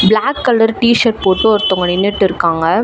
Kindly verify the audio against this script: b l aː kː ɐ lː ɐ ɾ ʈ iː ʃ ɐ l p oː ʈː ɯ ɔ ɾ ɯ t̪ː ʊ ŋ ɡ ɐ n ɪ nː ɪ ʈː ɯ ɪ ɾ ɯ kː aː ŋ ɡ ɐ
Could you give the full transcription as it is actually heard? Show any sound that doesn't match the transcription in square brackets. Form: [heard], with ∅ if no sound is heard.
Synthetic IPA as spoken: b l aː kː ɐ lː ɐ ɾ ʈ iː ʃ ɐ [ɾ] p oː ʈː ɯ ɔ ɾ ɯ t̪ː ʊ ŋ ɡ ɐ n ɪ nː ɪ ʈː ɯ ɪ ɾ ɯ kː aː ŋ ɡ ɐ